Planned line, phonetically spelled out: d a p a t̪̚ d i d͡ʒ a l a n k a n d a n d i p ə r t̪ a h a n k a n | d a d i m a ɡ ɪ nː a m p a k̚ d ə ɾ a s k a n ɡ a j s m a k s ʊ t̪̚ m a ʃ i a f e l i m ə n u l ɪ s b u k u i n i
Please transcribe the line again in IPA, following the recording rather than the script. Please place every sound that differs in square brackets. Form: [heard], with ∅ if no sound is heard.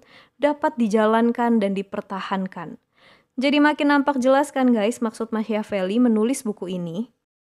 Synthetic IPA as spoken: d a p a t̪̚ d i d͡ʒ a l a n k a n d a n d i p ə r t̪ a h a n k a n | [d͡ʒ] a d i m a [k] ɪ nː a m p a k̚ [d͡ʒ] ə [l] a s k a n ɡ a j s m a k s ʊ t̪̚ m a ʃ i a f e l i m ə n u l ɪ s b u k u i n i